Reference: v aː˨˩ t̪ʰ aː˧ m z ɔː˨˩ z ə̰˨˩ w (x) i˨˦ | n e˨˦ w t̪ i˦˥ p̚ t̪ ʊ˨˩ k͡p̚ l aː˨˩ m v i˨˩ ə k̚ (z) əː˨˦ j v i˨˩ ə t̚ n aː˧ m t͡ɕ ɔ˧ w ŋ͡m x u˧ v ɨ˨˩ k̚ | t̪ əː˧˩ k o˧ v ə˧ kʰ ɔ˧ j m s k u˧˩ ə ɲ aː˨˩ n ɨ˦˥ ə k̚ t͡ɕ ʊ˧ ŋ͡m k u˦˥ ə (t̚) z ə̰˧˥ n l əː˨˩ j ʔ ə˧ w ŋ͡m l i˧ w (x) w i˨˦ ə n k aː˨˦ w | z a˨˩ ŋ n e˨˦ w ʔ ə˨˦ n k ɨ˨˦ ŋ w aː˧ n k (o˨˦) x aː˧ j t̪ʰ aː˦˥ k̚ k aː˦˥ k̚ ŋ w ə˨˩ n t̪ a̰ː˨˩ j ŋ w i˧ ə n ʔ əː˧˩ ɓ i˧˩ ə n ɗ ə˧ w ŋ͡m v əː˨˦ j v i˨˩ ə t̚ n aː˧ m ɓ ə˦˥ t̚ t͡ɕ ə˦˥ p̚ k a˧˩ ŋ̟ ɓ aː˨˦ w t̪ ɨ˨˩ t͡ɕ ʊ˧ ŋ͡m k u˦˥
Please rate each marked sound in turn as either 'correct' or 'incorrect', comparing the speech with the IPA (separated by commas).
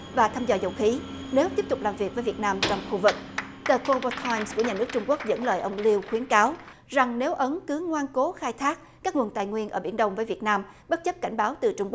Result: correct, incorrect, incorrect, correct, correct